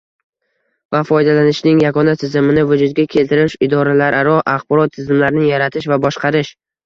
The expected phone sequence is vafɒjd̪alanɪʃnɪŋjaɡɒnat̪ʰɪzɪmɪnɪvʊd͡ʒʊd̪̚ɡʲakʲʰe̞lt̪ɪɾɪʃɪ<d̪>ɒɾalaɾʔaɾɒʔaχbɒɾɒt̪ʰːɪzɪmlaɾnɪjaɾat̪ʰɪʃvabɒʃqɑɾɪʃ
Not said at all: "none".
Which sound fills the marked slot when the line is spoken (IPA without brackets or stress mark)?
d̪